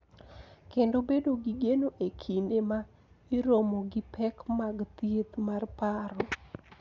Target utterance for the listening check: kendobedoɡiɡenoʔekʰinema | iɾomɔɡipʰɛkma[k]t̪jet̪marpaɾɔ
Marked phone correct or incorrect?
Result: incorrect